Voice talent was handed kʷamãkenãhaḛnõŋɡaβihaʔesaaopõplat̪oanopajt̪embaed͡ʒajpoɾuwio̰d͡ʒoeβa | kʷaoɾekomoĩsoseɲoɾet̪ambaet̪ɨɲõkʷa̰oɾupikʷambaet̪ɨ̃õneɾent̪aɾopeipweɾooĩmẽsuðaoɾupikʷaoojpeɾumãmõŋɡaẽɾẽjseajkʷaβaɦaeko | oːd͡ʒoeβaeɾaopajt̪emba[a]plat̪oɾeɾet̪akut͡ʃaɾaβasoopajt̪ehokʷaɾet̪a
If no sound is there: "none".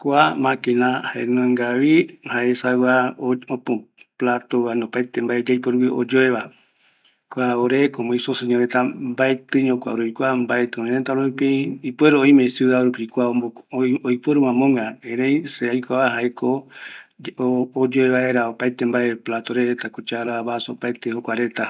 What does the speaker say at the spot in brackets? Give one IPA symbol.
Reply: e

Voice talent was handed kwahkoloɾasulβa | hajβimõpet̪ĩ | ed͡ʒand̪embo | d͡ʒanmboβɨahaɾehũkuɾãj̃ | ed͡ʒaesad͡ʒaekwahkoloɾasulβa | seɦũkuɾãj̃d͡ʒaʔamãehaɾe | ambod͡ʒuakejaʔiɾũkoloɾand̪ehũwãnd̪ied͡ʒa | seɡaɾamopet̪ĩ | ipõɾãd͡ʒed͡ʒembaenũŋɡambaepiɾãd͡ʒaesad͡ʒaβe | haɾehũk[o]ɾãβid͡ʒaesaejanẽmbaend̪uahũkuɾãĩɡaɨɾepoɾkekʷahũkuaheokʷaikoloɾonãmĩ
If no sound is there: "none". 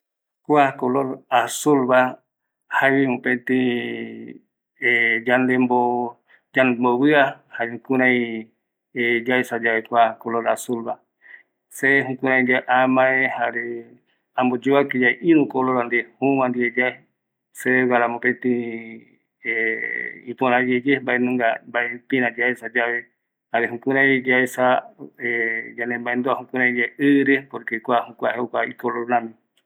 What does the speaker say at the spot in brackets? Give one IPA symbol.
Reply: u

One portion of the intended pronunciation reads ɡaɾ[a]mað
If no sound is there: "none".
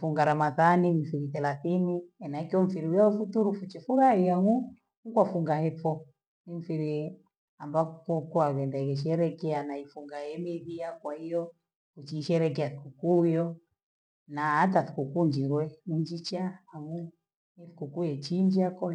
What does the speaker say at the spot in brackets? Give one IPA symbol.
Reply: a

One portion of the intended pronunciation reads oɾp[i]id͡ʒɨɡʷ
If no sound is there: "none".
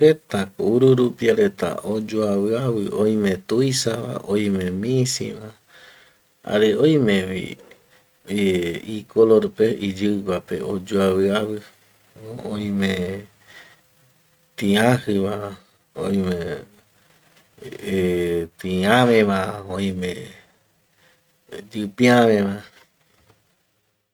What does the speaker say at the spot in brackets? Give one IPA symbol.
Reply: e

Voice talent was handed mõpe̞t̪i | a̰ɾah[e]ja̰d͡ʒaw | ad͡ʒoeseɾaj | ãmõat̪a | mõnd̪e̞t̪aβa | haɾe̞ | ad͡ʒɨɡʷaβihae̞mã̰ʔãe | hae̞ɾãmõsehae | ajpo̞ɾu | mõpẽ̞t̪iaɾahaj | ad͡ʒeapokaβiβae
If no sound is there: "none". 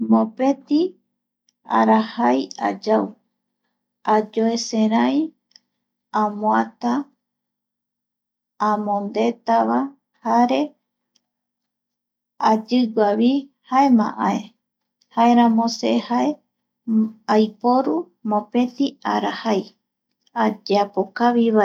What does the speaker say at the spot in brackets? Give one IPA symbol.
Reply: a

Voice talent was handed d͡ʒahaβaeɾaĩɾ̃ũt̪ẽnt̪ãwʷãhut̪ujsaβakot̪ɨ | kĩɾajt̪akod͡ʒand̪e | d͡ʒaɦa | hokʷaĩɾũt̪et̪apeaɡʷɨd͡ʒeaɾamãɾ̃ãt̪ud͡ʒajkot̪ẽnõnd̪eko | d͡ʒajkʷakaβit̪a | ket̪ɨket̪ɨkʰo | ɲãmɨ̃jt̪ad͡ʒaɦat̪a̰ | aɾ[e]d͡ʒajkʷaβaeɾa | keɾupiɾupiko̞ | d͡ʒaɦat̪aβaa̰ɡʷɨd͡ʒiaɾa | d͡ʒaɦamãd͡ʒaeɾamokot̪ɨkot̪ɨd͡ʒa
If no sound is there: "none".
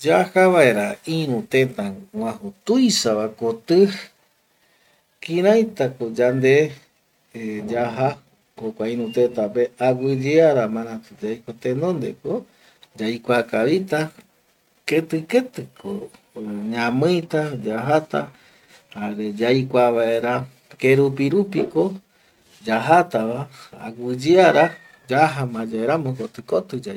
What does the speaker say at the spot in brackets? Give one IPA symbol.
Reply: e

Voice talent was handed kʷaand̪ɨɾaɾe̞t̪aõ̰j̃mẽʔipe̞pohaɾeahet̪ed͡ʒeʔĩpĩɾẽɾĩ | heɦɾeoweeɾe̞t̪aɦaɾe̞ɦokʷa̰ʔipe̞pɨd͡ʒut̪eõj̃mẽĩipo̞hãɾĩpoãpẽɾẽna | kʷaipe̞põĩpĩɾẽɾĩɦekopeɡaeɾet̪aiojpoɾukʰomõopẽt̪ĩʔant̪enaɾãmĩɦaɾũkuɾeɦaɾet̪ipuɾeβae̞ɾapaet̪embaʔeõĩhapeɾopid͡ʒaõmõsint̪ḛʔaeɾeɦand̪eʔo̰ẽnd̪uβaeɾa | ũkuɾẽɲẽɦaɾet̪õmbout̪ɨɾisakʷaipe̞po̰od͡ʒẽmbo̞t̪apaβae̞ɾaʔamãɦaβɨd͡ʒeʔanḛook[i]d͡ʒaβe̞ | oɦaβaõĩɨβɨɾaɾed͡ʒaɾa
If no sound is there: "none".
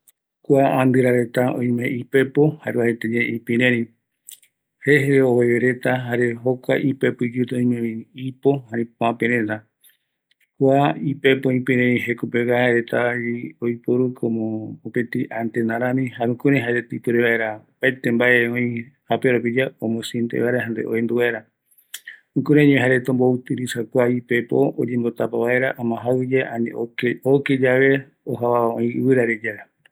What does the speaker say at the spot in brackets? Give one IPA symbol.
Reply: e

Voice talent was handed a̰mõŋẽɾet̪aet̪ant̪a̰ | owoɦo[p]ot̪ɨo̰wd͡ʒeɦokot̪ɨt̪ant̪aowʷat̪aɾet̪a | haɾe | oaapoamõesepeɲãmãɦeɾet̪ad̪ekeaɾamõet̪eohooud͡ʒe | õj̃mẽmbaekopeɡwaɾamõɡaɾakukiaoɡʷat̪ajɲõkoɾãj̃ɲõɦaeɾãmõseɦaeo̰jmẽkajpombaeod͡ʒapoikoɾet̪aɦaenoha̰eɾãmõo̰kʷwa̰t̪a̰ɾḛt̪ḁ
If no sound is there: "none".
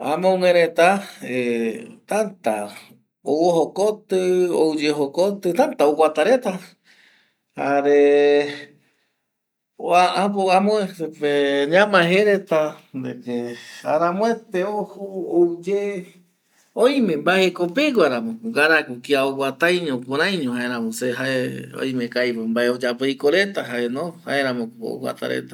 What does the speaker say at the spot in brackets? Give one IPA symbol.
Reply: k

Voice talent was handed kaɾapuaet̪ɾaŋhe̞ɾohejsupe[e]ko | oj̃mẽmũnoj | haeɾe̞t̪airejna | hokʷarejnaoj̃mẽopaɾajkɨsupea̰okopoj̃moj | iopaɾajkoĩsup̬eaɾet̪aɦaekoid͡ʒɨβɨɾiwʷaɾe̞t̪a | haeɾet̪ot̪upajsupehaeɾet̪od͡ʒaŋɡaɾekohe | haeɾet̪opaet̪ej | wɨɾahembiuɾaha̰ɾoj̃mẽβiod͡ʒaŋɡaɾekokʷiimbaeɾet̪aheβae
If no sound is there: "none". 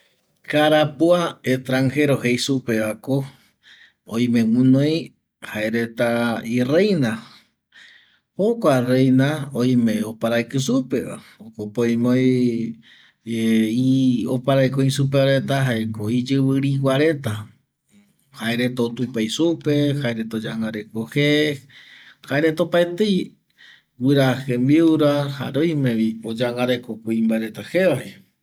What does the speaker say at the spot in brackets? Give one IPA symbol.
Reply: a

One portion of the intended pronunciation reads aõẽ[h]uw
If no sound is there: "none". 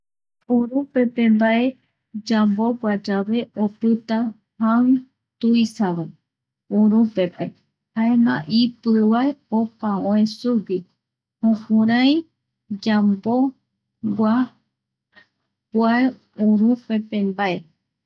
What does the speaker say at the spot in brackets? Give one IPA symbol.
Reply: s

